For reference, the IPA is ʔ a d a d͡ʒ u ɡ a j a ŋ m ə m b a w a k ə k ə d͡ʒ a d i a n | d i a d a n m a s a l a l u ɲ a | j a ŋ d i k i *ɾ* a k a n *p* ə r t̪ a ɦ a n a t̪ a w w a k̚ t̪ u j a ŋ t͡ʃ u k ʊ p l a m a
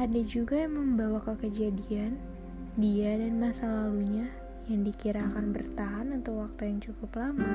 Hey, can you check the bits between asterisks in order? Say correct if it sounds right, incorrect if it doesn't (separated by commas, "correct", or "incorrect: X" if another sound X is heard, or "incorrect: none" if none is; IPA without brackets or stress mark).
correct, incorrect: b